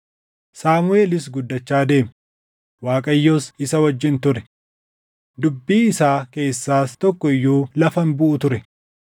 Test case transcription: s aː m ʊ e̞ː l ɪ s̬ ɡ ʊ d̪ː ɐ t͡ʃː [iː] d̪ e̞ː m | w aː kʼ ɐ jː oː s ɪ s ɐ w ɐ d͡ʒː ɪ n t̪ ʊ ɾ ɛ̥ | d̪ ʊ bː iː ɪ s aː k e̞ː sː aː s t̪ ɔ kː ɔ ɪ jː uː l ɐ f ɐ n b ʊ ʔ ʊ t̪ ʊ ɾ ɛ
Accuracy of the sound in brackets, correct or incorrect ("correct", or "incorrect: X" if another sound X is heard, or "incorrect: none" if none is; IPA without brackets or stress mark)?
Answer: incorrect: aː